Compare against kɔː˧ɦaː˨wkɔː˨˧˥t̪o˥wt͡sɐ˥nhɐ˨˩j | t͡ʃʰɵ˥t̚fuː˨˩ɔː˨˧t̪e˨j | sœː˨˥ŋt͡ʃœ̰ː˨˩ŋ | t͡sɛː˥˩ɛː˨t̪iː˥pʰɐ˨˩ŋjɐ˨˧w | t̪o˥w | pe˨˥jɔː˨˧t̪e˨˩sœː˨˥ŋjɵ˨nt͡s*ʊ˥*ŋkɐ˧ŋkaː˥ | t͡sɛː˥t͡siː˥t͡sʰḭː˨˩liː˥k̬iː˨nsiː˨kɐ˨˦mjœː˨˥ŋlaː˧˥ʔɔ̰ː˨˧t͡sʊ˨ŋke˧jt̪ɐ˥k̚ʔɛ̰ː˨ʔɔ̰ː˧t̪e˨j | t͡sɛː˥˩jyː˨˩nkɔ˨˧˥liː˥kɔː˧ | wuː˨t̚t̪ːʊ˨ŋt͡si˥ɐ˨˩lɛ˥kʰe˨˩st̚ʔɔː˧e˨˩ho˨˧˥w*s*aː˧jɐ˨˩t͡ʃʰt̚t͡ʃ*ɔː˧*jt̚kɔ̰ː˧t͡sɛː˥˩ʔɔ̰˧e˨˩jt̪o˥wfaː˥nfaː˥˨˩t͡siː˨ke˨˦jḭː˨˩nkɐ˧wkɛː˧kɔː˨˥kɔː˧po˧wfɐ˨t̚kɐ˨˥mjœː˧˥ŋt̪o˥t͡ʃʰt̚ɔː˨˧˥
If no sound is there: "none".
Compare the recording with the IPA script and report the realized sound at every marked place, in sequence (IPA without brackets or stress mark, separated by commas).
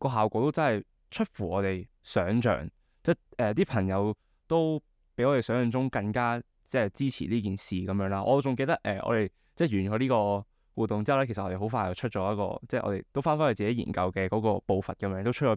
ʊ˥, f, ɔː˨˥